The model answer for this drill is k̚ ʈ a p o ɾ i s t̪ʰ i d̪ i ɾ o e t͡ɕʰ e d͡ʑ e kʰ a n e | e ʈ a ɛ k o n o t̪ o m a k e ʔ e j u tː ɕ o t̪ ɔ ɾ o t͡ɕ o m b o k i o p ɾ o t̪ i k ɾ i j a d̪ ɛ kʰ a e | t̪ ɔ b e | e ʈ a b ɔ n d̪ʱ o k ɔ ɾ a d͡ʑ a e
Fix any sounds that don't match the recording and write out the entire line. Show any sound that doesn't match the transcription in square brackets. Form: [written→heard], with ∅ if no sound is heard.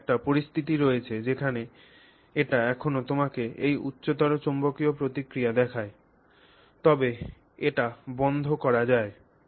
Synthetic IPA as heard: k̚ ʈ a p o ɾ i s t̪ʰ i [d̪→t̪] i ɾ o e t͡ɕʰ e d͡ʑ e kʰ a n e | e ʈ a ɛ [k→kʰ] o n o t̪ o m a k e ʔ e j u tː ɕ o t̪ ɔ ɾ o t͡ɕ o m b o k i o p ɾ o t̪ i k ɾ i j a d̪ ɛ kʰ a e | t̪ ɔ b e | e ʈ a b ɔ n d̪ʱ o k ɔ ɾ a d͡ʑ a e

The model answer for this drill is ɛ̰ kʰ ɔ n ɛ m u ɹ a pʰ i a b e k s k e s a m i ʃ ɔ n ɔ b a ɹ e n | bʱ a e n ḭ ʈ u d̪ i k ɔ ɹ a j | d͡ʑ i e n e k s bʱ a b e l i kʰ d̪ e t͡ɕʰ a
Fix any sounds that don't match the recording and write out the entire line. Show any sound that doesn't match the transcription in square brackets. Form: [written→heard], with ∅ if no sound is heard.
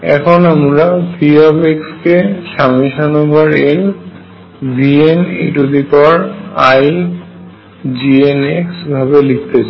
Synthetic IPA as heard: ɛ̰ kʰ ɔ n [ɛ→a] m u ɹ a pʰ i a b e k s k e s a m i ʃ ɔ n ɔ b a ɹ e n | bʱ [a→i] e n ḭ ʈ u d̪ i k ɔ ɹ a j | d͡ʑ i e n e k s bʱ a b e l i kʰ [d̪→t̪] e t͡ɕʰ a

